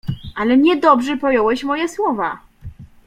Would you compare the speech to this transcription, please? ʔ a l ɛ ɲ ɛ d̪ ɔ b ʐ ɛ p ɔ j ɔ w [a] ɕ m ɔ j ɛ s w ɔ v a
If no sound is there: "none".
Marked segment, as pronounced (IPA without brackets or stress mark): ɛ